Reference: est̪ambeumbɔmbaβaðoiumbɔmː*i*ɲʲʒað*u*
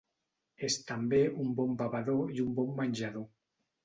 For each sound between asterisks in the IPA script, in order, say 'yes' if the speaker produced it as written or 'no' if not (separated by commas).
no, no